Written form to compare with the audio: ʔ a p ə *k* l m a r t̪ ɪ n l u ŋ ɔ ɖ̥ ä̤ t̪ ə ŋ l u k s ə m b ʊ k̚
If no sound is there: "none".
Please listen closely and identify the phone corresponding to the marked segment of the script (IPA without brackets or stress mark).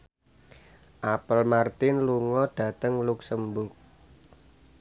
none